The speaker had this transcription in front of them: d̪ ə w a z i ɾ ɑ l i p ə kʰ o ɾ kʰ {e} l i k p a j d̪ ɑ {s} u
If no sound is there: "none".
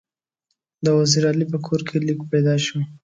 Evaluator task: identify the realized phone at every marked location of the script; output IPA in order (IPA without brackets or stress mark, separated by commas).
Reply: e, ʃ